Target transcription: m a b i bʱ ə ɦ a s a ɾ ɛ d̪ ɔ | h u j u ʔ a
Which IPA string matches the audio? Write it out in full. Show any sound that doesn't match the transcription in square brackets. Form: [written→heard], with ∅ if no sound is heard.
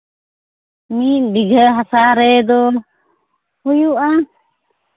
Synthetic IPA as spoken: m [a→i] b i [bʱ→ɡʱ] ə ɦ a s a ɾ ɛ d̪ ɔ | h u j u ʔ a